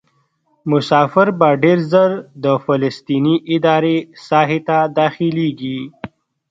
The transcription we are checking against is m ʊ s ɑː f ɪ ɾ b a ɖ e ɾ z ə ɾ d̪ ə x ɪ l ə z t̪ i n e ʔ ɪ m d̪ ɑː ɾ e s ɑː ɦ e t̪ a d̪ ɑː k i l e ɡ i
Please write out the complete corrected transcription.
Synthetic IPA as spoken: m ʊ s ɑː f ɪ ɾ b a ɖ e ɾ z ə ɾ d̪ ə f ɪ l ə s t̪ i n i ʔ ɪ d̪ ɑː ɾ e s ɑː ɦ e t̪ a d̪ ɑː x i l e ɡ i